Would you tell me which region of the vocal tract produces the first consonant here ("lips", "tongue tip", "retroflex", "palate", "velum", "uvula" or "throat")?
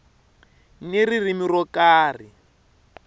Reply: tongue tip